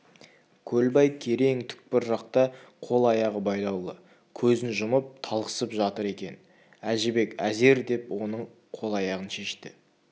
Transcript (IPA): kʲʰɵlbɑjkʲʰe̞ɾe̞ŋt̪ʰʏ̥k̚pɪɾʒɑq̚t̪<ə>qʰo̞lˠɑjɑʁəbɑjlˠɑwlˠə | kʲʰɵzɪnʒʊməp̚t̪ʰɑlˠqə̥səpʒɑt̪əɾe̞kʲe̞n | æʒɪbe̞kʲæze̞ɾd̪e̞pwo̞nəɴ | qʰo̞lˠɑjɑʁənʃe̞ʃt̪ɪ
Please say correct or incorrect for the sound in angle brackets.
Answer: incorrect